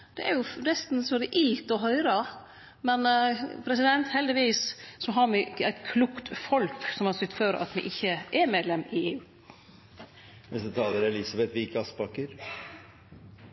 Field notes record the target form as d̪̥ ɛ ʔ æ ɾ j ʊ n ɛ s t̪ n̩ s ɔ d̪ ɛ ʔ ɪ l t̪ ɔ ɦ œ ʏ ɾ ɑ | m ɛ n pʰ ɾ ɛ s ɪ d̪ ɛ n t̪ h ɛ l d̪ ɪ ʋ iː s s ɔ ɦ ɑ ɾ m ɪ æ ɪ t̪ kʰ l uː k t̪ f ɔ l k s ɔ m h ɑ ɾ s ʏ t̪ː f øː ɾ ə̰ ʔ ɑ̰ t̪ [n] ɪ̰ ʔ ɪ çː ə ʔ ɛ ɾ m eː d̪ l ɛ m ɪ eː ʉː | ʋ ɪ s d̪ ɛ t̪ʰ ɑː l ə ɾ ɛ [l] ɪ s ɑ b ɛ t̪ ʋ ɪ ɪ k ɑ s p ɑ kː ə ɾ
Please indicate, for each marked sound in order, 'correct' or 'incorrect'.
incorrect: m, correct

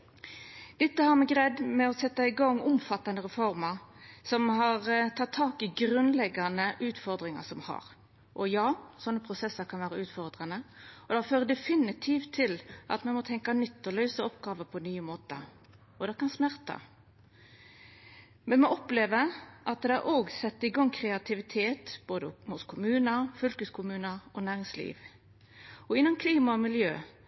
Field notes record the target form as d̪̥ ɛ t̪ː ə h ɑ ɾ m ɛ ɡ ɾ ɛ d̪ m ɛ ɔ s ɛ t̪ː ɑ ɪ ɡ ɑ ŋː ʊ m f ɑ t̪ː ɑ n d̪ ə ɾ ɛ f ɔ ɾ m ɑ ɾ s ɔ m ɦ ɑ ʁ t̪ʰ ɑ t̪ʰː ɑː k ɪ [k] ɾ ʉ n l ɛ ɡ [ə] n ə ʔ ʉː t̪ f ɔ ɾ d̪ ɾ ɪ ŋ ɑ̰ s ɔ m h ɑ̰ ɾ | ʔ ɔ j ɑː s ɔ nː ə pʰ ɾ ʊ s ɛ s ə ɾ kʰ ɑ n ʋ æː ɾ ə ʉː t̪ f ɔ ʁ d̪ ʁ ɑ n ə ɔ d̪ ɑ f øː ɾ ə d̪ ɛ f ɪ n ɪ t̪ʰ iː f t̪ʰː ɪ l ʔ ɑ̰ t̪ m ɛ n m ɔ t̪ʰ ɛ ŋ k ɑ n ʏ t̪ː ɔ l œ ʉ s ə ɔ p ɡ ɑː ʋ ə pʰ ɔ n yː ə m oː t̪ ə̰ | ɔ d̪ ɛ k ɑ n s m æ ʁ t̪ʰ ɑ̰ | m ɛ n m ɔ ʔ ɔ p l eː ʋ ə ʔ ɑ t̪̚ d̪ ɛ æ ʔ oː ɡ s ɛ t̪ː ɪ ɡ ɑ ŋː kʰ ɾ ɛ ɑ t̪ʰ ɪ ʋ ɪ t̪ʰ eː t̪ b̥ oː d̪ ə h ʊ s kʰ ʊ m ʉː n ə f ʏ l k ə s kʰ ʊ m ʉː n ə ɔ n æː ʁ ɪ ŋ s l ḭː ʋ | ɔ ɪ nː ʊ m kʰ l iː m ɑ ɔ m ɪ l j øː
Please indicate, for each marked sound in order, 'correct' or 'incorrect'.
incorrect: ɡ, incorrect: ɑ

